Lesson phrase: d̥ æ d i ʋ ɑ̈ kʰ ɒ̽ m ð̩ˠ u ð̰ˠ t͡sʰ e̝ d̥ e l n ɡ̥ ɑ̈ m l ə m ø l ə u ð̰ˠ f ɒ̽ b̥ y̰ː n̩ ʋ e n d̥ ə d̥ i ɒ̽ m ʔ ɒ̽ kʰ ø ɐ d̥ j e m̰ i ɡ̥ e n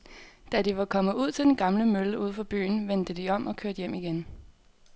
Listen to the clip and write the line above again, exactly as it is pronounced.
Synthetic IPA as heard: d̥ æ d i ʋ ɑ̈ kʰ ɒ̽ m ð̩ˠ u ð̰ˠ t͡sʰ e̝ d̥ e n ɡ̥ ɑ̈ m l ə m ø l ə u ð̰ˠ f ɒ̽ b̥ y̰ː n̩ ʋ e n d̥ ə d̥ i ɒ̽ m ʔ ɒ̽ kʰ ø ɐ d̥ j e m̰ i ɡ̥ e n